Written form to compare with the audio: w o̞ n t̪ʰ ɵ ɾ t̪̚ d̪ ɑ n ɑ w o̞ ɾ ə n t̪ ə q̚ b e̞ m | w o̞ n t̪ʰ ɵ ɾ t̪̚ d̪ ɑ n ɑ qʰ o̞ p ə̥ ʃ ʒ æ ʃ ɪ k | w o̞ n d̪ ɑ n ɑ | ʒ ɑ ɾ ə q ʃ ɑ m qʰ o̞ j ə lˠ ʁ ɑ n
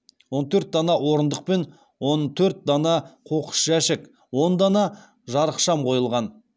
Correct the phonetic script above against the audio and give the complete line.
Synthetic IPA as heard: w o̞ n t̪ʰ ɵ ɾ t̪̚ d̪ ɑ n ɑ w o̞ ɾ ə n d̪ ə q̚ p e̞ n | w o̞ n t̪ʰ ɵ ɾ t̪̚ d̪ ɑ n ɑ qʰ o̞ q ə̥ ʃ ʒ æ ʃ ɪ k | w o̞ n d̪ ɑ n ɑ | ʒ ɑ ɾ ə q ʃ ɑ m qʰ o̞ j ə lˠ ʁ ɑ n

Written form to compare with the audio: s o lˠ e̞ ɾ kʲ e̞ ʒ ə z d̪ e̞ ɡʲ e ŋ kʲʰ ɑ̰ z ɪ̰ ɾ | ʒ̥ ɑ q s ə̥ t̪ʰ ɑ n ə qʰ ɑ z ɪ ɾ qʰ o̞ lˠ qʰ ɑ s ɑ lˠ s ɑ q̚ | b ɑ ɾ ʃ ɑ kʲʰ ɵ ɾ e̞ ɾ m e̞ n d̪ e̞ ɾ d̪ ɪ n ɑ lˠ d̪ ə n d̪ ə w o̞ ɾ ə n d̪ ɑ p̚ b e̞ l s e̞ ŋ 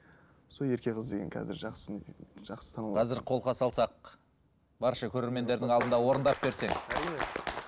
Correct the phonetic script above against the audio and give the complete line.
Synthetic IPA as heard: s o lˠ e̞ ɾ kʲ e̞ ʁ ə z d̪ e̞ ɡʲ e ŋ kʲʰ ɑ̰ z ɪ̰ ɾ | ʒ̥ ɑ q s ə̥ t̪ʰ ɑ n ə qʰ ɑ z ɪ ɾ qʰ o̞ lˠ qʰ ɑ s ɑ lˠ s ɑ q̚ | b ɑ ɾ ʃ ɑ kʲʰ ɵ ɾ e̞ ɾ m e̞ n d̪ e̞ ɾ d̪ ɪ ŋ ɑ lˠ d̪ ə n d̪ ɑ w o̞ ɾ ə n d̪ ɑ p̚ b e̞ ɾ s e̞ ŋ

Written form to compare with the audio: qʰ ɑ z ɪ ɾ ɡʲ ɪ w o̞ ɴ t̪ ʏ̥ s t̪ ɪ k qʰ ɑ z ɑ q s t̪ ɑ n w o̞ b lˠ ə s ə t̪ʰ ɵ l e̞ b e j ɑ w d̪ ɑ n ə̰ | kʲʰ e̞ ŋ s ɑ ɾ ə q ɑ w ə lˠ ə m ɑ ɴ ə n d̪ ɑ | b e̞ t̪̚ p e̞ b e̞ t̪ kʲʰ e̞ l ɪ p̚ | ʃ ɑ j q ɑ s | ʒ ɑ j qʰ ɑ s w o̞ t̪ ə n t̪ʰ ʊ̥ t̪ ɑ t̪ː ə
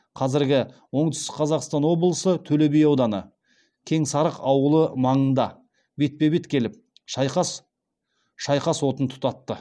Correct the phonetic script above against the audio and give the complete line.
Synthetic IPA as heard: qʰ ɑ z ɪ ɾ ɡʲ ɪ w o̞ ɴ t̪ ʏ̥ s t̪ ɪ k qʰ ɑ z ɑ q s t̪ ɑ n w o̞ b lˠ ə s ə t̪ʰ ɵ l e̞ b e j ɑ w d̪ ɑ n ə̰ | kʲʰ e̞ ŋ s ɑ ɾ ə q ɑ w ə lˠ ə m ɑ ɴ ə n d̪ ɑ | b e̞ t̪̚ p e̞ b e̞ t̪ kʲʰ e̞ l ɪ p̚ | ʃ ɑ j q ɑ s | ʃ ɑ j q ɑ s w o̞ t̪ ə n t̪ʰ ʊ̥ t̪ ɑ t̪ː ə

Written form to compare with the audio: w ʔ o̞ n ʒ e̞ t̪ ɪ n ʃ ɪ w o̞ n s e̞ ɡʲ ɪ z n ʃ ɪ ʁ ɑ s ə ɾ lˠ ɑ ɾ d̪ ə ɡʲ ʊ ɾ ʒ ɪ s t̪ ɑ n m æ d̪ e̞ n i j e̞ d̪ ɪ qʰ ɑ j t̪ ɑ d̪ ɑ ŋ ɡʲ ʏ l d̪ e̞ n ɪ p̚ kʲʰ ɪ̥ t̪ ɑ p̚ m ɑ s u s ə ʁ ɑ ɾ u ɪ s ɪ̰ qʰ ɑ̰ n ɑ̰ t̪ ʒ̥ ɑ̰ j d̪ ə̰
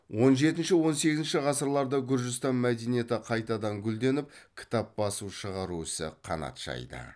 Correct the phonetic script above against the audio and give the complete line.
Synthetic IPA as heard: w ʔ o̞ n ʒ e̞ t̪ ɪ n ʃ ɪ w o̞ n s e̞ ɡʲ ɪ z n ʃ ɪ ʁ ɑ s ə ɾ lˠ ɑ ɾ d̪ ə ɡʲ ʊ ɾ ʒ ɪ s t̪ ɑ n m æ d̪ e̞ n i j e̞ t̪ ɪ qʰ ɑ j t̪ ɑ d̪ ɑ ŋ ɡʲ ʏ l d̪ e̞ n ɪ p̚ kʲʰ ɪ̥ t̪ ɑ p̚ b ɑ s u ʃ ə ʁ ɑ ɾ u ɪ s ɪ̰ qʰ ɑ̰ n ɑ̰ t̪ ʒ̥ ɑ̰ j d̪ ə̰

